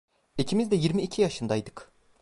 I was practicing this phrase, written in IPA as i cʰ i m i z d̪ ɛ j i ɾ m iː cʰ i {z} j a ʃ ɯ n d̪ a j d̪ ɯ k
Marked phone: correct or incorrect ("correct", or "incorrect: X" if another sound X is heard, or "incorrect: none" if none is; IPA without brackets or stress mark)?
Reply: incorrect: none